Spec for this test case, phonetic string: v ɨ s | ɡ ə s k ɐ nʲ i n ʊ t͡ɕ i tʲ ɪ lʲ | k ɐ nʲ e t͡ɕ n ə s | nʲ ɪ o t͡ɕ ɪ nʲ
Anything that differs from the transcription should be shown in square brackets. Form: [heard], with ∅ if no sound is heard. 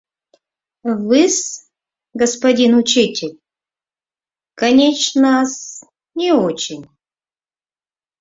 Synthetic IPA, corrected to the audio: v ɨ s | ɡ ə s [p] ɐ [dʲ] i n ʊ t͡ɕ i tʲ ɪ lʲ | k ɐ nʲ e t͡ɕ n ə s | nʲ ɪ o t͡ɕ ɪ nʲ